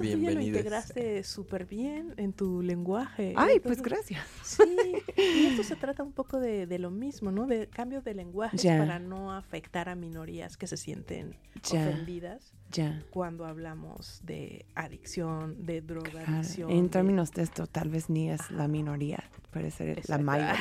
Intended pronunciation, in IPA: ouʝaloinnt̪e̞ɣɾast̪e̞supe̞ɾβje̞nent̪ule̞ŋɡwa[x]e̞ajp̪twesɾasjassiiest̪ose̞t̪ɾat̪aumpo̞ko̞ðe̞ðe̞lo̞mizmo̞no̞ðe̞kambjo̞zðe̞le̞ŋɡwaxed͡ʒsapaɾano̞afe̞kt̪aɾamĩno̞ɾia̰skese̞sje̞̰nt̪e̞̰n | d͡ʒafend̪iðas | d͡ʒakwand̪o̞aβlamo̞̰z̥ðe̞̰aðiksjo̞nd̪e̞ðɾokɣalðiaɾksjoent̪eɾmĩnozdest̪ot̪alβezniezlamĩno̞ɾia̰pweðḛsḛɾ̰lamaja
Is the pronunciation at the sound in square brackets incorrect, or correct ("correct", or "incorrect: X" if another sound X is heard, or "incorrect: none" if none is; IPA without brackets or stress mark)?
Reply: correct